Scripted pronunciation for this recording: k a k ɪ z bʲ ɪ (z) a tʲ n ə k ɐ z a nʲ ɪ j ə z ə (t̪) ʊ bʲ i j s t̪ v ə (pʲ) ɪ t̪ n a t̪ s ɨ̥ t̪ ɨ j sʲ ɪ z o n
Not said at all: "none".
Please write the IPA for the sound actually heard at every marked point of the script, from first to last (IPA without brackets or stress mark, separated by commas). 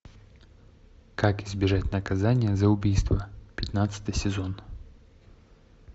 ʐ, none, pʲ